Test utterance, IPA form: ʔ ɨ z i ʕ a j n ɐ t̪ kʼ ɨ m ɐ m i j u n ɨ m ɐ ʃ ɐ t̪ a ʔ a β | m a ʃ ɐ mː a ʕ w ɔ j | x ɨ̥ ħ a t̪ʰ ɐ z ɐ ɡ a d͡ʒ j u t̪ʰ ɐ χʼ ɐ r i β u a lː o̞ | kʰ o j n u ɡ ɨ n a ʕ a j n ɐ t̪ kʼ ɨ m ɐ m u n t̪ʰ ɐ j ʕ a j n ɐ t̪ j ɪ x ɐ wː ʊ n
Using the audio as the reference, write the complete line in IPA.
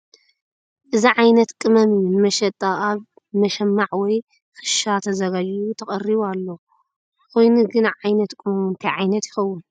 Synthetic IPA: ʔ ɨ z i ʕ a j n ɐ t̪ kʼ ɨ m ɐ m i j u n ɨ m ɐ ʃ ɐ t̪ʼ a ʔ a β | m ɐ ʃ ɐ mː a ʕ w ɔ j | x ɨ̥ ʃ a t̪ʰ ɐ z ɐ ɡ a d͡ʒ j u t̪ʰ ɐ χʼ ɐ r i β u a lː o̞ | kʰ o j n u ɡ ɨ n a ʕ a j n ɐ t̪ kʼ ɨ m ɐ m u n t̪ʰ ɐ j ʕ a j n ɐ t̪ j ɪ x ɐ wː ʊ n